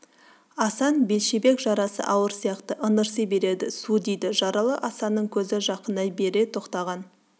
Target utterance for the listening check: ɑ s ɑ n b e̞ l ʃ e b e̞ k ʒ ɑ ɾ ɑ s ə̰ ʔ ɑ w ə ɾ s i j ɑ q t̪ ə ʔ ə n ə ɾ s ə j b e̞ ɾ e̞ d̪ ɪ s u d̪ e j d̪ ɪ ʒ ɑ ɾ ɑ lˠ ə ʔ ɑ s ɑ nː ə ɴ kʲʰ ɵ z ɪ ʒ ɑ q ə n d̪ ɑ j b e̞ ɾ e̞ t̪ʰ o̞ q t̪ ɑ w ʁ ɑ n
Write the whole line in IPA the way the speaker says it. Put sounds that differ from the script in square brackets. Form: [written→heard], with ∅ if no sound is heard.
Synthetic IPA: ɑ s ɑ n b e̞ l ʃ e b e̞ k ʒ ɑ ɾ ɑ s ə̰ ʔ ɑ w ə ɾ s i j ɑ q t̪ ə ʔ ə n ə ɾ s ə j b e̞ ɾ e̞ d̪ ɪ s u d̪ e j d̪ ɪ ʒ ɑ ɾ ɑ lˠ ə ʔ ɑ s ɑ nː ə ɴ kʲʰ ɵ z ɪ ʒ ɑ q ə n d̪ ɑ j b e̞ ɾ e̞ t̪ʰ o̞ q t̪ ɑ [w→∅] ʁ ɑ n